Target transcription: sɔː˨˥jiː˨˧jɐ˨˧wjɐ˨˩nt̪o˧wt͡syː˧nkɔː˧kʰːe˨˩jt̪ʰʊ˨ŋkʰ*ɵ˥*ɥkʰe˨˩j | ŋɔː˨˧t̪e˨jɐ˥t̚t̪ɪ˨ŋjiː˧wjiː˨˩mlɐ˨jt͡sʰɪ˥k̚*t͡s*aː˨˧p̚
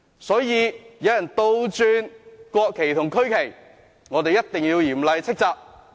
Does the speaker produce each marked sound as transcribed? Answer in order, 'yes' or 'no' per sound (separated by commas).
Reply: yes, yes